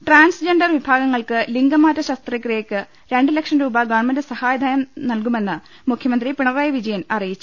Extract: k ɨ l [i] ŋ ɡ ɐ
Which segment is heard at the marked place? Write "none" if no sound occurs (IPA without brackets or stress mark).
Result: i